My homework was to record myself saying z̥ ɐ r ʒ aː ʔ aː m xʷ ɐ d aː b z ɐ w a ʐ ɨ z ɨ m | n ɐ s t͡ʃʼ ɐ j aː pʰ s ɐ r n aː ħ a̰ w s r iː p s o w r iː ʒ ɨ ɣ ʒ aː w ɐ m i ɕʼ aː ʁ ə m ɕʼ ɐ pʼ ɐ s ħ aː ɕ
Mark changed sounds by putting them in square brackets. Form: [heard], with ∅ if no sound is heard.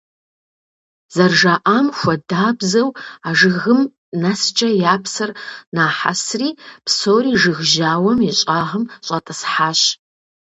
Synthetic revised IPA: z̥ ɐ r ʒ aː ʔ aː m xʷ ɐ d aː b z ɐ w a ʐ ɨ [ɣ] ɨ m | n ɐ s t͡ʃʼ ɐ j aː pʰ s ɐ r n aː ħ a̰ [∅] s r iː p s o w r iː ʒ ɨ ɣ ʒ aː w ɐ m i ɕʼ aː ʁ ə m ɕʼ ɐ [tʼ] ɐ s ħ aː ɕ